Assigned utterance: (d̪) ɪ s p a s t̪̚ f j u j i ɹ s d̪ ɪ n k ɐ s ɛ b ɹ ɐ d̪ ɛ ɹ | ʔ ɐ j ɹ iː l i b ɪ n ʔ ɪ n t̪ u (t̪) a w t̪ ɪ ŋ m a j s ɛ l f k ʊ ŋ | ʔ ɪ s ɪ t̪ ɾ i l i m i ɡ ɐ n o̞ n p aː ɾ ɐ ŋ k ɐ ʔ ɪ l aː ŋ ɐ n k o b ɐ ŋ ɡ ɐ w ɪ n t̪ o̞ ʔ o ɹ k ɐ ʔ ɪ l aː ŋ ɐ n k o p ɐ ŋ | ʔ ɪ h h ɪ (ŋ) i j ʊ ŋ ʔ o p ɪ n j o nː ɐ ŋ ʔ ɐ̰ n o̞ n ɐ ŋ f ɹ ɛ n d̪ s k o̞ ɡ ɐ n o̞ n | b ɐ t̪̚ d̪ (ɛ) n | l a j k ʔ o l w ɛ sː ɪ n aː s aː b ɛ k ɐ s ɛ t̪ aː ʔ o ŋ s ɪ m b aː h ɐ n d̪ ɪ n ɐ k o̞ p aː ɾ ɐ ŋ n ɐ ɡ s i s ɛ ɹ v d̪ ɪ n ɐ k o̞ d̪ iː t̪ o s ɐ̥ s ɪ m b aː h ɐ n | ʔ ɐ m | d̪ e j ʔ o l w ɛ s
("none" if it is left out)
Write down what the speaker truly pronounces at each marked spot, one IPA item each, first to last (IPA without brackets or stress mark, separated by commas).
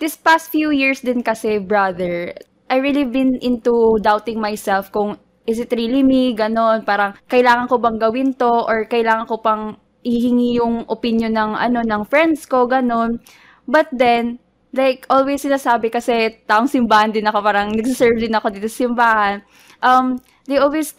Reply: d̪, d̪, ŋ, ɛ